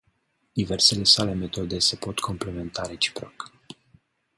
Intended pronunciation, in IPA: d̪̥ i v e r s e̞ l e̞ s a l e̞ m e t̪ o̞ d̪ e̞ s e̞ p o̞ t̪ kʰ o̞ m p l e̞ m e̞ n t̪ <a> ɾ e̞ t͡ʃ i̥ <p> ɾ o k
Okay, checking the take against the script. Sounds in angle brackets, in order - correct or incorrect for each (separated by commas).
correct, correct